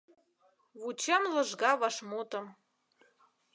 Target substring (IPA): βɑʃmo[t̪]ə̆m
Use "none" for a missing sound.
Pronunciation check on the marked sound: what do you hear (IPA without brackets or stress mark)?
t̪